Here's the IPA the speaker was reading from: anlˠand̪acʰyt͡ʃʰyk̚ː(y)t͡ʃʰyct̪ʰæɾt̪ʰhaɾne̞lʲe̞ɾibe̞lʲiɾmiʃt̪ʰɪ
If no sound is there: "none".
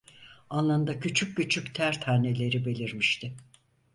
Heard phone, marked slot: y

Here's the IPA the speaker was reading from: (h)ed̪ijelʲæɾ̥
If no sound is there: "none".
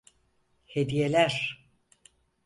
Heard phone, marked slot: h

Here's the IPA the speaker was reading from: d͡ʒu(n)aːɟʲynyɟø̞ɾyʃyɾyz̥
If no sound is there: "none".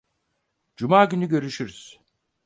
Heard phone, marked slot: m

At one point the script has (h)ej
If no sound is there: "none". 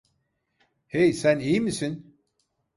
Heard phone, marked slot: h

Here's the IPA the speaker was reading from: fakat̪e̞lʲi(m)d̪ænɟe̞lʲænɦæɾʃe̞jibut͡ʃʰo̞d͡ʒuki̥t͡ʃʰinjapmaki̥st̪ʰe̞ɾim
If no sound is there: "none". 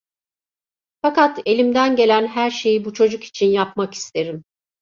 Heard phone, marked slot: m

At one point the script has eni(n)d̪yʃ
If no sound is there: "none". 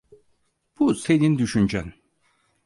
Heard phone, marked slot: n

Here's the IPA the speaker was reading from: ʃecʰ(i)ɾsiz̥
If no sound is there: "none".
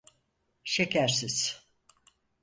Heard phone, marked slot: æ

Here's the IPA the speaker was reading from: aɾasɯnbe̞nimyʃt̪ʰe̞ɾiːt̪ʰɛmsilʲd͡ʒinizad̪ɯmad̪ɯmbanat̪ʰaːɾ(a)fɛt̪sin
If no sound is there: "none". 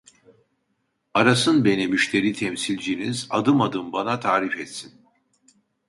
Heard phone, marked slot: i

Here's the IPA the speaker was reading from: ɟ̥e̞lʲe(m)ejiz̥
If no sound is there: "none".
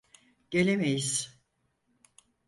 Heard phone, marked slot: m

